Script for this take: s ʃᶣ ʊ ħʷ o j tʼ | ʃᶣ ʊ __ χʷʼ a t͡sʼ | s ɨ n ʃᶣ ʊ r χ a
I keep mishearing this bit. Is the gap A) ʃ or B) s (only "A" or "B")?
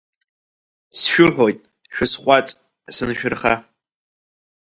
B